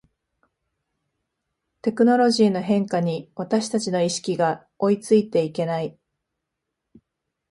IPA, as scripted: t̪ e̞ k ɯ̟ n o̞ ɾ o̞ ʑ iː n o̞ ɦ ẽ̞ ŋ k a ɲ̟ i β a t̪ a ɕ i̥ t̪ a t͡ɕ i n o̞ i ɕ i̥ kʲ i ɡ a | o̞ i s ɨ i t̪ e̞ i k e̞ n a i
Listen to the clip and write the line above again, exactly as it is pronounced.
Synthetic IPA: t̪ e̞ k ɯ̟ n o̞ ɾ o̞ ʑ iː n o̞ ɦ ẽ̞ ŋ k a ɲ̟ i β a t̪ a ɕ i̥ t̪ a t͡ɕ i n o̞ i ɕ i̥ kʲ i ɡ a | o̞ i t͡s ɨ i t̪ e̞ i k e̞ n a i